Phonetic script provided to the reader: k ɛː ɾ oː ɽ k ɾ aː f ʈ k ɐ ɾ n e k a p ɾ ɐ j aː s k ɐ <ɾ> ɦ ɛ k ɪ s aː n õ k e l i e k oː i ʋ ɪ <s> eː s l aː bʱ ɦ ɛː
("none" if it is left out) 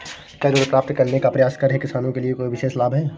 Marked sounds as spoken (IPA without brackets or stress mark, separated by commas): ɾ, ʃ